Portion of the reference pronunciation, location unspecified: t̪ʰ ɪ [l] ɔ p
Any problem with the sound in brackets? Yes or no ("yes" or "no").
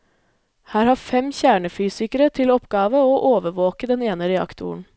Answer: no